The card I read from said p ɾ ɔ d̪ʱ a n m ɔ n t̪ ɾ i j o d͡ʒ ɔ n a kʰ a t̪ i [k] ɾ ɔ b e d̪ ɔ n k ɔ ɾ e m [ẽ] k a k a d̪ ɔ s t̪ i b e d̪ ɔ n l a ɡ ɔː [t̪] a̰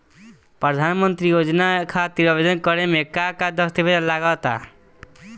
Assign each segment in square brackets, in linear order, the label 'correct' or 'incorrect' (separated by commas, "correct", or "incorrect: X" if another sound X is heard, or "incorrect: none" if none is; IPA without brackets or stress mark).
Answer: incorrect: none, incorrect: e, correct